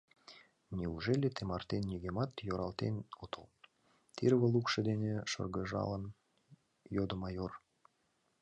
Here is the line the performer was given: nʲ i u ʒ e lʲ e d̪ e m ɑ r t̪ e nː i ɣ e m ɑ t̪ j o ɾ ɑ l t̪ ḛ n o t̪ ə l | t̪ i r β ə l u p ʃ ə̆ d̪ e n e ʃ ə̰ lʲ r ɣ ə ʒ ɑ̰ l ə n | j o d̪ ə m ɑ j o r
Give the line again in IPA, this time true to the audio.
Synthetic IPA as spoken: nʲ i u ʒ e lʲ e t̪ e m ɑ r t̪ e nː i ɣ e m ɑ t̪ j o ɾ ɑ l t̪ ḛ n o t̪ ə l | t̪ i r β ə l u k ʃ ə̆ d̪ e n e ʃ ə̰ r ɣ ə ʒ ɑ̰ l ə n | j o d̪ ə m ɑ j o r